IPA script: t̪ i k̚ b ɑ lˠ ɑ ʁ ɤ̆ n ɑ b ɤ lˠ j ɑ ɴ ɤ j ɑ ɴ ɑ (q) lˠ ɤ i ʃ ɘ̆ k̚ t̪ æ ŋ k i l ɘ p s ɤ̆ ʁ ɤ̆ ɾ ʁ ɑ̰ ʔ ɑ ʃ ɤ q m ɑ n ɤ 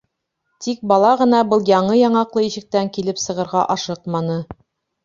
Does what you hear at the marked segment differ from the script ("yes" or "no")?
no